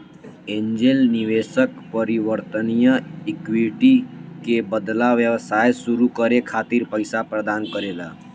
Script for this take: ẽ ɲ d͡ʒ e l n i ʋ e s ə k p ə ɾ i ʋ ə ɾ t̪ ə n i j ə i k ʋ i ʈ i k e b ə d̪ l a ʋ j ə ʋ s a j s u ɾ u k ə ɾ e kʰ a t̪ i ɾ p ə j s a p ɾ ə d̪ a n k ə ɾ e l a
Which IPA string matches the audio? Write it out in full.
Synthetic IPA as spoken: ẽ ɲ d͡ʒ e l n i ʋ e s ə k p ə ɾ i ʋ ə ɾ t̪ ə n i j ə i k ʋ i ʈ i k e b ə d̪ l a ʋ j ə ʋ s a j s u ɾ u k ə ɾ e kʰ a t̪ i ɾ p ə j s a p ɾ ə d̪ a n k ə ɾ e l a